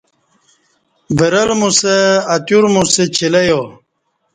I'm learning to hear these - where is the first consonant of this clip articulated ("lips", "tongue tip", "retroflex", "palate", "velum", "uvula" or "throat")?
lips